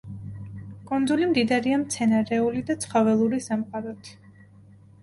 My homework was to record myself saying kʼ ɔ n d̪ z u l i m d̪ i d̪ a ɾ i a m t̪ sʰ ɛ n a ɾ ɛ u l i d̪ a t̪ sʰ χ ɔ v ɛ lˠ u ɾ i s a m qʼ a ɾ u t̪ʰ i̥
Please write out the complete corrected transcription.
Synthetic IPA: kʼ ɔ n d̪ z u l i m d̪ i d̪ a ɾ i a m t̪ sʰ ɛ n a ɾ ɛ u l i d̪ a t̪ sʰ χ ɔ v ɛ lˠ u ɾ i s a m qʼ a ɾ ɔ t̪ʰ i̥